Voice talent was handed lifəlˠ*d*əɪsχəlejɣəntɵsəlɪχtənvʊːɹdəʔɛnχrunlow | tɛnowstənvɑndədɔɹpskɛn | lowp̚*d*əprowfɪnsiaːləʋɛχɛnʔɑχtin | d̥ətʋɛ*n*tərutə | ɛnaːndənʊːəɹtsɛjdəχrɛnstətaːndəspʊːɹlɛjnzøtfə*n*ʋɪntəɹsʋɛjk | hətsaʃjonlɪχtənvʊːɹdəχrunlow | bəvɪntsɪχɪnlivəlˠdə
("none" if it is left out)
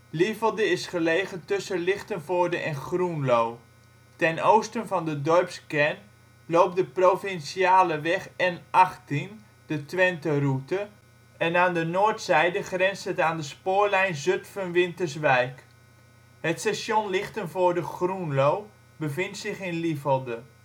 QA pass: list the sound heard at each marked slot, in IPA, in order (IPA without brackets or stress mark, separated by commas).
d, d, n, n